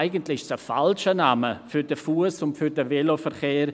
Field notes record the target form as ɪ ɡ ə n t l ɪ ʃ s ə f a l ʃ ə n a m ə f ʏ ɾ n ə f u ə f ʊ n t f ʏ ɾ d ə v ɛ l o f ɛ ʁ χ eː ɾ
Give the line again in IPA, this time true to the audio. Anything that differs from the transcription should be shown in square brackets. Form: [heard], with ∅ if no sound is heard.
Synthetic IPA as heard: ɪ ɡ ə n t l ɪ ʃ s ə f a l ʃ ə n a m ə f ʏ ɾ [d] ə f u ə [s] ʊ n t f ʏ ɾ d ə v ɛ l o f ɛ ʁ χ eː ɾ